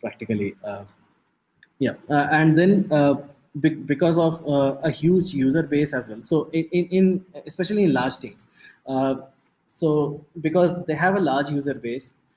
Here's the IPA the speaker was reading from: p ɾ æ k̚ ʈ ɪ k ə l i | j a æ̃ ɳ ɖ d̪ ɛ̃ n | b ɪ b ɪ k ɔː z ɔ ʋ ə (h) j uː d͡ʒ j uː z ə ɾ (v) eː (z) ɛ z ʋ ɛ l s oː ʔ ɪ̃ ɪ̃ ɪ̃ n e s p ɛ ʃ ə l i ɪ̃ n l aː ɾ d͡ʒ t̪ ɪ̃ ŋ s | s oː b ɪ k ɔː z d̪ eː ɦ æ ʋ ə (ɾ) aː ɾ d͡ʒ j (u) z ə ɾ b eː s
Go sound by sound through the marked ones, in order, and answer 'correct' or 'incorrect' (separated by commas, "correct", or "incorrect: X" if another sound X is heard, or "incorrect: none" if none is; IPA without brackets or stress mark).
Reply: correct, incorrect: b, incorrect: s, incorrect: l, incorrect: uː